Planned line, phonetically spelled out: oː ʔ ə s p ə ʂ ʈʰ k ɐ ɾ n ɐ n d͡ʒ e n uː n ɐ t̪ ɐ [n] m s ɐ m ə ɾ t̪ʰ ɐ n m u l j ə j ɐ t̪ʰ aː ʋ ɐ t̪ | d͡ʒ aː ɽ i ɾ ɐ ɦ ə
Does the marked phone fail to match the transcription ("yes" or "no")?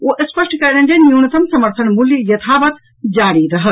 yes